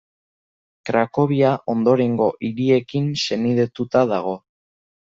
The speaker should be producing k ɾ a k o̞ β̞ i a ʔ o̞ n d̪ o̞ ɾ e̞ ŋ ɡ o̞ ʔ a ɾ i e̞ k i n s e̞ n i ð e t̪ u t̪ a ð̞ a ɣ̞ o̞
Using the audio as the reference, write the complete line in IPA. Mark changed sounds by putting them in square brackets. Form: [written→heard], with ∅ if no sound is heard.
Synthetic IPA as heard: k ɾ a k o̞ β̞ i a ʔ o̞ n d̪ o̞ ɾ e̞ ŋ ɡ o̞ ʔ [a→i] ɾ i e̞ k i n s e̞ n i ð e t̪ u t̪ a ð̞ a ɣ̞ o̞